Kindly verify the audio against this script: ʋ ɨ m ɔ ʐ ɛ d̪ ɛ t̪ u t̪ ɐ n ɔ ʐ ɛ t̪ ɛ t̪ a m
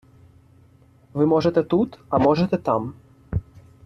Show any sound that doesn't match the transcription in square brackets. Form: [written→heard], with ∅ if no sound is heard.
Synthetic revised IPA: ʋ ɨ m ɔ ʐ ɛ [d̪→t̪] ɛ t̪ u t̪ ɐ [n→m] ɔ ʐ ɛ t̪ ɛ t̪ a m